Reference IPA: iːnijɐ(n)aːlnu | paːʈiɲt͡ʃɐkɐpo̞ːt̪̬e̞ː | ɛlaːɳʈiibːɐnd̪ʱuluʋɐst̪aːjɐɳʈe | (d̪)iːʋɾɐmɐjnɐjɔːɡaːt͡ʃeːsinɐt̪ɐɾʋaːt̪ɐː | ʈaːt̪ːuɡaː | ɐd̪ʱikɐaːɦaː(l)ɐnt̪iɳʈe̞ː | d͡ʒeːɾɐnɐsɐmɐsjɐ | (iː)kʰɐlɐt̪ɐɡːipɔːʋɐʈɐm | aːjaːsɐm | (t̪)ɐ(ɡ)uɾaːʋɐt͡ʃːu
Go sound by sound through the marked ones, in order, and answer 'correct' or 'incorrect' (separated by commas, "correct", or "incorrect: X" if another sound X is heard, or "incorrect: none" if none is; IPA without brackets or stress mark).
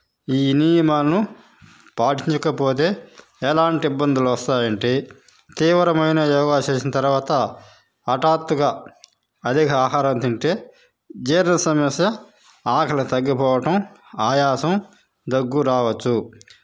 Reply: incorrect: m, incorrect: t̪, incorrect: ɾ, incorrect: aː, incorrect: d̪, incorrect: ɡː